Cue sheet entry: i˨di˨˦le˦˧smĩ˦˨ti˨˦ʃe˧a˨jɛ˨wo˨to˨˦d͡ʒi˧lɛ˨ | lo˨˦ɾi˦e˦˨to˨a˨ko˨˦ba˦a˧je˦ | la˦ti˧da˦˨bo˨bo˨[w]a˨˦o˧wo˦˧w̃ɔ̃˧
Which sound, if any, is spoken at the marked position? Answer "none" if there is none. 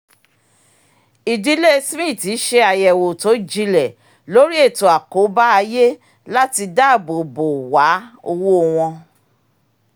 w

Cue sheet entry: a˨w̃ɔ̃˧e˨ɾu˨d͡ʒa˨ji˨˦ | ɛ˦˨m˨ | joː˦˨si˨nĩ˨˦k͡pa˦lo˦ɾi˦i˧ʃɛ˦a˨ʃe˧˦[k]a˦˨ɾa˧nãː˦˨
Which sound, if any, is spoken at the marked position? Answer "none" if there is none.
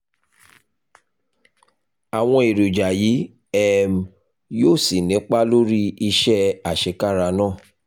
k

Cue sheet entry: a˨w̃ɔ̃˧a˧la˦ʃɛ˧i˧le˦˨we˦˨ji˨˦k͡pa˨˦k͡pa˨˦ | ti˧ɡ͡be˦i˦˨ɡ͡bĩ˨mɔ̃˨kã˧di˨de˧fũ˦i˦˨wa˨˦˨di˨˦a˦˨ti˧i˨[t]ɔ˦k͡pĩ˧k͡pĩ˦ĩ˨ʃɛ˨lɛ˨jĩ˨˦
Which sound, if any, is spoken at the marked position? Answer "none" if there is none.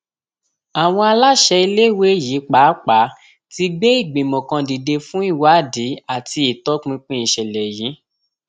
t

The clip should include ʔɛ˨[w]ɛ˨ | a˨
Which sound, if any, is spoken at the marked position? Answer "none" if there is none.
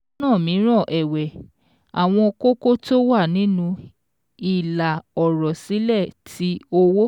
w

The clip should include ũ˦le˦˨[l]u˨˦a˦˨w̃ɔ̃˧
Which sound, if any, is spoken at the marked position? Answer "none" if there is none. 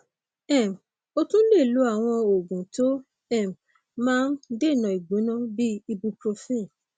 l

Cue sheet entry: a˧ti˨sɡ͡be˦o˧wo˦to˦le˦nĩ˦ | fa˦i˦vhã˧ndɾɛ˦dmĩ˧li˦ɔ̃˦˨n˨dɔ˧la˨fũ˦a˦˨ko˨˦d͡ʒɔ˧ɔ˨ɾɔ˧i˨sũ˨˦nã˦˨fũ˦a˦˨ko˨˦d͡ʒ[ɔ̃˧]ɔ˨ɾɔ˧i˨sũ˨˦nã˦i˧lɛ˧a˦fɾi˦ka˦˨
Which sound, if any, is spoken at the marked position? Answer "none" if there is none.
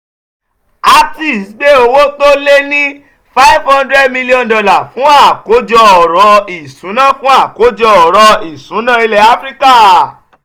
ɔ˧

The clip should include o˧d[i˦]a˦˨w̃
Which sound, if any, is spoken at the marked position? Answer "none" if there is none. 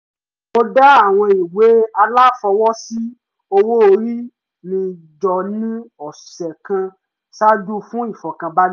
a˦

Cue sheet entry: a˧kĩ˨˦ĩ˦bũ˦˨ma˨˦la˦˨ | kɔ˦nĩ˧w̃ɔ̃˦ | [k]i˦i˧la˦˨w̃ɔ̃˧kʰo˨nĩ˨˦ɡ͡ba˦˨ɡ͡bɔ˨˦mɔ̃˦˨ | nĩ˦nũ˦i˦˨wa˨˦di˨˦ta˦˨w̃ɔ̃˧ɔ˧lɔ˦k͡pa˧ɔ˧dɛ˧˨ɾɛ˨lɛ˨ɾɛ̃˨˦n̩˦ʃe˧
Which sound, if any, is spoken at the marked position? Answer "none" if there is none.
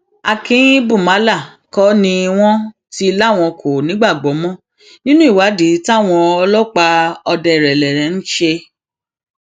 t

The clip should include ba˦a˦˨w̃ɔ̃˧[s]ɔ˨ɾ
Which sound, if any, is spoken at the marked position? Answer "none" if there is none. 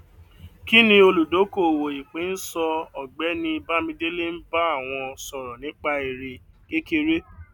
s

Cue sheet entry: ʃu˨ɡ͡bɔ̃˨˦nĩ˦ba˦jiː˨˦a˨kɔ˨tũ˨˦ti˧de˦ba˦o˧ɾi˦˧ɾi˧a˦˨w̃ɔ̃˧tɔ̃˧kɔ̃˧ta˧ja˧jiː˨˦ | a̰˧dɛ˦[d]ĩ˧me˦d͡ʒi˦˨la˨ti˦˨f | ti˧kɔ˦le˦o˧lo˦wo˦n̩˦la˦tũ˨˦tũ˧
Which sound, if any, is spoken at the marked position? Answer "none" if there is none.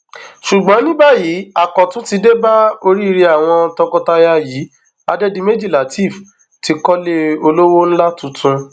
d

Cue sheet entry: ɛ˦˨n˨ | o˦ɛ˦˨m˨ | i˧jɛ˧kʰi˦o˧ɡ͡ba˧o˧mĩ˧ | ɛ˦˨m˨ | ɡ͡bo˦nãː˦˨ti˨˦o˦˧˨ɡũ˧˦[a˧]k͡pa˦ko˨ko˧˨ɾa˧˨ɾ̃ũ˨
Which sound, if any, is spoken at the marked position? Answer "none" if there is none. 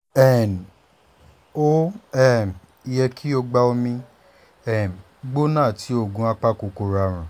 a˧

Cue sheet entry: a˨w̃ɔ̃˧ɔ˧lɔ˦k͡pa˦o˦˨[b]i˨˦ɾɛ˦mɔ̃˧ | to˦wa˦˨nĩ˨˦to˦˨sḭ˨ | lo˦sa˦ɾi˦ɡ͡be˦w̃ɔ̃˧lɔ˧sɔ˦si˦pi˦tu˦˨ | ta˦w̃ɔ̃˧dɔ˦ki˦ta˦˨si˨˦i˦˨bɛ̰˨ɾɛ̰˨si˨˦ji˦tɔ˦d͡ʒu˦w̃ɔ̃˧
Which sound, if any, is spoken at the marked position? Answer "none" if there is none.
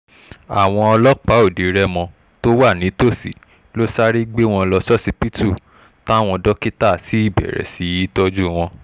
d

